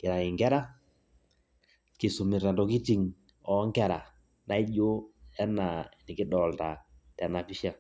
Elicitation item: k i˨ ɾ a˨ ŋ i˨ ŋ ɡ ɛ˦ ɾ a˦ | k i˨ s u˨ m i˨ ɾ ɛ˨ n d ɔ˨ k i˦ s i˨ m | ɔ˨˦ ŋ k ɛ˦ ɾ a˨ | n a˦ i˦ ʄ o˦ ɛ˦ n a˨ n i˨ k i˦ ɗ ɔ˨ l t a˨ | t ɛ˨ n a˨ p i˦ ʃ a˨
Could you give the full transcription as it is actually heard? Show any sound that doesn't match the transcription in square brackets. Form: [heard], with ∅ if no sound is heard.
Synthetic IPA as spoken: k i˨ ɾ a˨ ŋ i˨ ŋ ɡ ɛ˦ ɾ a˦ | k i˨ s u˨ m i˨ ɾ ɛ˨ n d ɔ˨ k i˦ [t] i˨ [ŋ] | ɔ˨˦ ŋ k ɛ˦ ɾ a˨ | n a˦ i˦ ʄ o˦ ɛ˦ n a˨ n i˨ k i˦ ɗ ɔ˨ l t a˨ | t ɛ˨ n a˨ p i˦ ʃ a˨